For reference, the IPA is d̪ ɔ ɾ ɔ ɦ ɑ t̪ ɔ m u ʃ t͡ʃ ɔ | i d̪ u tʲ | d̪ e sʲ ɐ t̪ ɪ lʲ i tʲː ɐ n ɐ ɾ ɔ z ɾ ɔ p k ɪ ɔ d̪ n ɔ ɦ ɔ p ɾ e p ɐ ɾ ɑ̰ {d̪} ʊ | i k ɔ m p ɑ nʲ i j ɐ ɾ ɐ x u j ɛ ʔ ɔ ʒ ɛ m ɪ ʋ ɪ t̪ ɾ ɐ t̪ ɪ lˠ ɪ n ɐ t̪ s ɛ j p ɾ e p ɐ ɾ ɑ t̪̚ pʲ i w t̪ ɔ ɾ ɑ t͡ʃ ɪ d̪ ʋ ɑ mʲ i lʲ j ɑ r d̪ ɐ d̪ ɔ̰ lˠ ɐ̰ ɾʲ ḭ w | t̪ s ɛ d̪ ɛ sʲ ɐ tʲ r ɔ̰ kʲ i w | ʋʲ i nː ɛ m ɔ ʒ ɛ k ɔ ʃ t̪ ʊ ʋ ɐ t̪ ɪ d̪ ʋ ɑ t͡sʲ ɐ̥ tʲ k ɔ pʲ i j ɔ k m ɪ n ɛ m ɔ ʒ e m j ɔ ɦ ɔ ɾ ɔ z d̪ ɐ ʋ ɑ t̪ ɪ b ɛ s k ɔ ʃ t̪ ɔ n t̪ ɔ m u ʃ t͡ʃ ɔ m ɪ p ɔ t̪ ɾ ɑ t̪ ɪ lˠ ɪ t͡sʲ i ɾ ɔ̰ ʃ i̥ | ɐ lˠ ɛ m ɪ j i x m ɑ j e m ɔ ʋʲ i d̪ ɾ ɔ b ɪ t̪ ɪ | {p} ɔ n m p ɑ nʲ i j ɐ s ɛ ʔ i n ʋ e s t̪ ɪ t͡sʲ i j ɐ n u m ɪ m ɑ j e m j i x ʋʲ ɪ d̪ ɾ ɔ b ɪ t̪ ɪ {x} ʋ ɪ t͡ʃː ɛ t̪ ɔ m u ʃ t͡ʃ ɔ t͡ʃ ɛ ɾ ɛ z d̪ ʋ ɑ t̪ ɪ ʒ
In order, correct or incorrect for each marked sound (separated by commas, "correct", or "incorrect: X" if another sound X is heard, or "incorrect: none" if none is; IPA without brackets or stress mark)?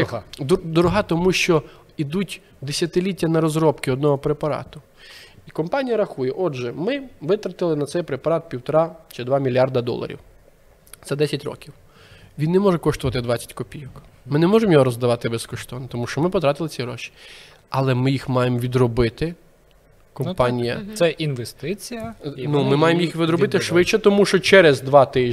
incorrect: t̪, incorrect: k, incorrect: ʃ